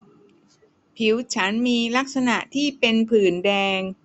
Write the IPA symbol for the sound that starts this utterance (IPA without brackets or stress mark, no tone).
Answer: pʰ